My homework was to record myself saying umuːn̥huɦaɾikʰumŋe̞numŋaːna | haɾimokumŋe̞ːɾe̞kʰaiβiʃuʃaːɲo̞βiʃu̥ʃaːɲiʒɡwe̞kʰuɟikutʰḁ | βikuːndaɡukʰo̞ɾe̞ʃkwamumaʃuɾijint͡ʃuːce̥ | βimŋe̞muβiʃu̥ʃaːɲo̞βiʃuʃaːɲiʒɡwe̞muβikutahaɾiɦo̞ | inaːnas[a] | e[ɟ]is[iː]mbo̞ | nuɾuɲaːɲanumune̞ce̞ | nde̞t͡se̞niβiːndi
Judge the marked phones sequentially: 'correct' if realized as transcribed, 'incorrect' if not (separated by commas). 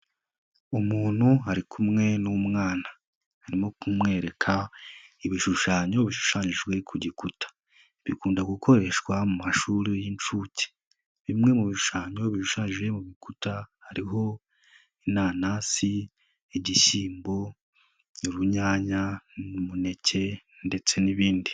incorrect, correct, correct